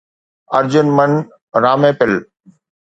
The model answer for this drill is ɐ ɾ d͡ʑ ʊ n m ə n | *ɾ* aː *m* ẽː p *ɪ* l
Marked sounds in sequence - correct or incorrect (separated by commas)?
correct, correct, correct